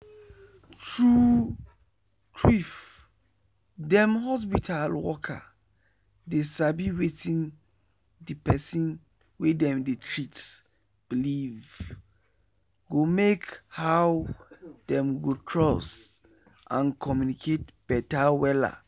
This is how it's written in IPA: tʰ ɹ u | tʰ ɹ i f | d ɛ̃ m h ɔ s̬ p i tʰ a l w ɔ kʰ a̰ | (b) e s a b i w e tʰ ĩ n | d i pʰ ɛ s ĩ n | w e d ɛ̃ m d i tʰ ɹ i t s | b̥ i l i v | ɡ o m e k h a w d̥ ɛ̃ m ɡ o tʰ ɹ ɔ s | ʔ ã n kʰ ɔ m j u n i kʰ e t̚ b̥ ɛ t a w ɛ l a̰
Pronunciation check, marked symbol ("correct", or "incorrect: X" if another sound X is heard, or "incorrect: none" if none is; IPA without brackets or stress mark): incorrect: d